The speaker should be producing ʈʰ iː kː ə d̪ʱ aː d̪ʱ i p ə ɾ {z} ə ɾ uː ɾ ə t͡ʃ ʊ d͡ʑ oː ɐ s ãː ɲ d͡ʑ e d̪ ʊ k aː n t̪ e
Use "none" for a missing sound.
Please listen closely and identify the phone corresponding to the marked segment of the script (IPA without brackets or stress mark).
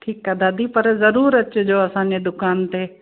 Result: z